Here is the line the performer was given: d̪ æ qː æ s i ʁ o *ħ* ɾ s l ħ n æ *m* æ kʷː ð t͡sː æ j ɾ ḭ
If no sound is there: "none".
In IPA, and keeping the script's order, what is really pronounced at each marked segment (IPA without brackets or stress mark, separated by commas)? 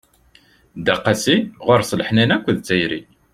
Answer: none, n